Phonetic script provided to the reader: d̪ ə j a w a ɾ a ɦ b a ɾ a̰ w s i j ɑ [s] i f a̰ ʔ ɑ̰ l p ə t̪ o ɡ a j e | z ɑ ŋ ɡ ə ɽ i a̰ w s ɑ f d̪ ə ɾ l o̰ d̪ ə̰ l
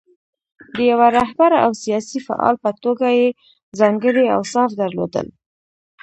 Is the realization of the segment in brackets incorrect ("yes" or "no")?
no